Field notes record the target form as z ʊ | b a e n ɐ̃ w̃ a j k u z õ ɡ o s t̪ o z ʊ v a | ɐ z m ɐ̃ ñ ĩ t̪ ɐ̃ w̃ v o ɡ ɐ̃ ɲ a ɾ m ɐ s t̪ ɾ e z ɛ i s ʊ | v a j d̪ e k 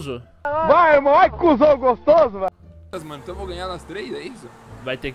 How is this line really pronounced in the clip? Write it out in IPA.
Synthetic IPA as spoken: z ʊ | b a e m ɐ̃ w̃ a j k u z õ ɡ o s t̪ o z ʊ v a | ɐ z m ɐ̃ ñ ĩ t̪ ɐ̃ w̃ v o ɡ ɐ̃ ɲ a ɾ n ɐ s t̪ ɾ e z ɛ i s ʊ | v a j t̪ e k